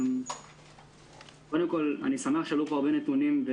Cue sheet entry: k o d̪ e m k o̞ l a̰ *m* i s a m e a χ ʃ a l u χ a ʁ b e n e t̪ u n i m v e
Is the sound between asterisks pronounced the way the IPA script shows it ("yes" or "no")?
no